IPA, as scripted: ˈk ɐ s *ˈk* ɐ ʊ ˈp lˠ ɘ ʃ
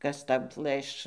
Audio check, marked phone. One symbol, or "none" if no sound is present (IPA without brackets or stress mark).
t